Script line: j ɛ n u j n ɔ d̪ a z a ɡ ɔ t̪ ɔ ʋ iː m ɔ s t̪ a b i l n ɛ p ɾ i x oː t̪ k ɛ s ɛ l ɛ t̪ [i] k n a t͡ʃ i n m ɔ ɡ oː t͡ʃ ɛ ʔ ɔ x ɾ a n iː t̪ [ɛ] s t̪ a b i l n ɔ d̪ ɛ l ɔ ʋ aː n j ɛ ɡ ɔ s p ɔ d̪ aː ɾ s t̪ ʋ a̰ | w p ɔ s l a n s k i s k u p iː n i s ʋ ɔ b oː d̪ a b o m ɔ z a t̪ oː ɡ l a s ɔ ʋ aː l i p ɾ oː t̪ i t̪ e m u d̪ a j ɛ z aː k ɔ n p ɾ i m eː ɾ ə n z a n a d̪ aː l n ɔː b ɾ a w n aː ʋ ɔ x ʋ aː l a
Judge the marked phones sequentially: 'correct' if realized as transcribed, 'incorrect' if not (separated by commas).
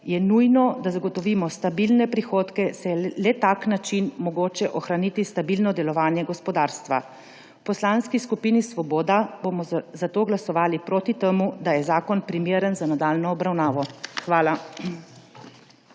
incorrect, incorrect